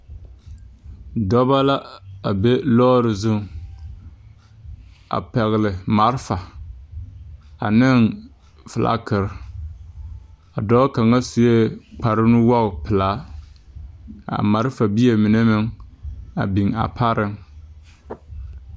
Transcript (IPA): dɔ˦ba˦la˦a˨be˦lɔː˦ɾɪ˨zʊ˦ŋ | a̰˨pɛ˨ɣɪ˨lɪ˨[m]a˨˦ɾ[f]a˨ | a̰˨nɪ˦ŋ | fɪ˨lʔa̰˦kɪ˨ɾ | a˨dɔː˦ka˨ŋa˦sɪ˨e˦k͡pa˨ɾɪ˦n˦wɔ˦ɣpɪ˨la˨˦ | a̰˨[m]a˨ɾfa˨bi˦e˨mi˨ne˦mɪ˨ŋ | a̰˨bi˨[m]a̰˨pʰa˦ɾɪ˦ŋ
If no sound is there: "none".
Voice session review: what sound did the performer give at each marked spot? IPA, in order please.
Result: m, f, m, ŋ

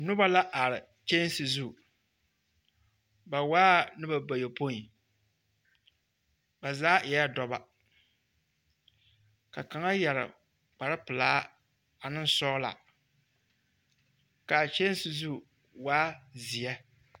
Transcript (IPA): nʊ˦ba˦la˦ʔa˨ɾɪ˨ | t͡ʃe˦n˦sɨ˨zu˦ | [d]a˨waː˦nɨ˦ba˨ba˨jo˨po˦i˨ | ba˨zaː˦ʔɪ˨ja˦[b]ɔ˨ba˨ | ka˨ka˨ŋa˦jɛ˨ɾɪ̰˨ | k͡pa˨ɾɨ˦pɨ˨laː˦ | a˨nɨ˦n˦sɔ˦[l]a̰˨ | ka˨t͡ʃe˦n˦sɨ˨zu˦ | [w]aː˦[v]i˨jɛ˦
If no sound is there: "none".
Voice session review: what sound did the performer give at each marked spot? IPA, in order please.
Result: b, d, l, w, z

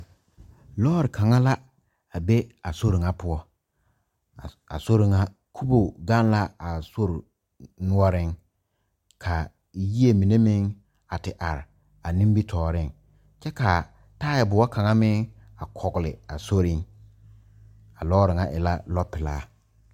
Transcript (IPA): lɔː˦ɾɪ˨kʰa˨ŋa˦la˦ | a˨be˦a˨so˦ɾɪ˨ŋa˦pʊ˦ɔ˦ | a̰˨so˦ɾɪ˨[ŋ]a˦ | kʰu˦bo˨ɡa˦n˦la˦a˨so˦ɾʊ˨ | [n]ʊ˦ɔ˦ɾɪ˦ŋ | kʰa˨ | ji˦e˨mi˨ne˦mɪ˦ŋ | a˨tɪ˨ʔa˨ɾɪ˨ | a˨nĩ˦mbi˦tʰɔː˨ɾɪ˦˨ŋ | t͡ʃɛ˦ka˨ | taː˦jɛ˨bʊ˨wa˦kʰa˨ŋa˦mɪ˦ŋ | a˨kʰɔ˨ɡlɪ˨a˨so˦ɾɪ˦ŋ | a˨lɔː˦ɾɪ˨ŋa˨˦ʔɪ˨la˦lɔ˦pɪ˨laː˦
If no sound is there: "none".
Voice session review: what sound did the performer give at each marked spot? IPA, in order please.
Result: ŋ, n

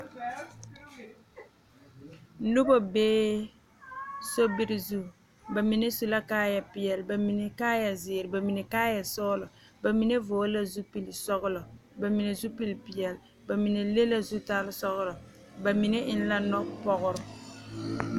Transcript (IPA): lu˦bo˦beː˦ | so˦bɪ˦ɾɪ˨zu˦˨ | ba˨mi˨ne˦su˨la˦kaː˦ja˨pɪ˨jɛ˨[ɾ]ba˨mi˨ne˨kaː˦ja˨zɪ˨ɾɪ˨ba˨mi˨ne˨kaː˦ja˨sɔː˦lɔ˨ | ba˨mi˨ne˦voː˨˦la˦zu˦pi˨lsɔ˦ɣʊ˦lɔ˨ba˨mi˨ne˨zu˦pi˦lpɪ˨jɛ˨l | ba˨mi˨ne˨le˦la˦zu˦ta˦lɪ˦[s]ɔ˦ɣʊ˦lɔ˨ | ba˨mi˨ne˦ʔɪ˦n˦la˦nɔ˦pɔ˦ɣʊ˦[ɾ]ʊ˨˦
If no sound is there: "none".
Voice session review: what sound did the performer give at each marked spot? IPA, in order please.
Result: l, s, ɾ

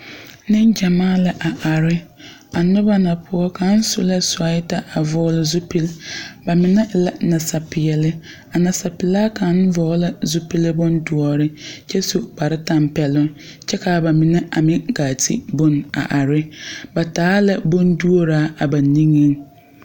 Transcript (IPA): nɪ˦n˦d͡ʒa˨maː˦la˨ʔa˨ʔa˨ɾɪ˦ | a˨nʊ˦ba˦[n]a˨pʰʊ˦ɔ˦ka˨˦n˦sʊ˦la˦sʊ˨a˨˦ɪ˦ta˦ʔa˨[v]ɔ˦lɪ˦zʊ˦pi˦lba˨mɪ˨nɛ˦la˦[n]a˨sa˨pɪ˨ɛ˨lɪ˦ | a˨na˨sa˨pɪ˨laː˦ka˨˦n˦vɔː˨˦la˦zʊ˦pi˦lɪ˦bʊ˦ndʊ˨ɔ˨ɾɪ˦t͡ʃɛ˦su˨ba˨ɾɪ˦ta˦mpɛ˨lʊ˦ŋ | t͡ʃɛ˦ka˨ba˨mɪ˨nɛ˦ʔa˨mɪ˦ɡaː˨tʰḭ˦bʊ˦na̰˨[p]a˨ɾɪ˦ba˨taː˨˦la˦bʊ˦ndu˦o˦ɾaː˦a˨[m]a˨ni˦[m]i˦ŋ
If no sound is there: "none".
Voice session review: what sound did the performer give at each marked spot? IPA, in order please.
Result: n, v, n, ʔ, b, ŋ

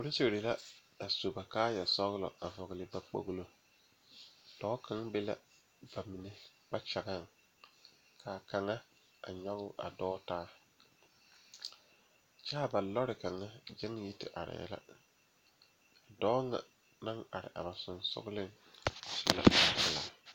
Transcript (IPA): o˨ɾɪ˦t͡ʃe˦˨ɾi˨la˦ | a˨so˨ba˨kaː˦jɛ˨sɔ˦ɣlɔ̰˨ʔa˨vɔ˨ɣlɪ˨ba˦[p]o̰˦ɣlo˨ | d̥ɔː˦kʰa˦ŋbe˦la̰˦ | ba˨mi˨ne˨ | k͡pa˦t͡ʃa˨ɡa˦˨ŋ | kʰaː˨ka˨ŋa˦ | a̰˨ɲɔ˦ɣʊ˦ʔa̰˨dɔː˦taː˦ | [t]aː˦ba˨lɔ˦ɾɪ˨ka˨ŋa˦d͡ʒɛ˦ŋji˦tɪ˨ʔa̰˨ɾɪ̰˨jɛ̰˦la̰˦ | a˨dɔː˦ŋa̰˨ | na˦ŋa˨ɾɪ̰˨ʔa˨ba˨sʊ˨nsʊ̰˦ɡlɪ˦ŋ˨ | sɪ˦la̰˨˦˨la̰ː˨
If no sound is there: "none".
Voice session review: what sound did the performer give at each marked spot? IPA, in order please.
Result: k͡p, t͡ʃ

